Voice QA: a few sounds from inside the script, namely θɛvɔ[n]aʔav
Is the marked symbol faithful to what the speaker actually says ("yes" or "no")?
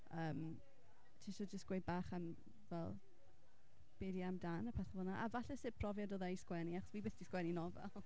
yes